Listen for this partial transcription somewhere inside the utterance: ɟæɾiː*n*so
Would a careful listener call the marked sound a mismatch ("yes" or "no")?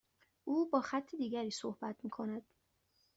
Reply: yes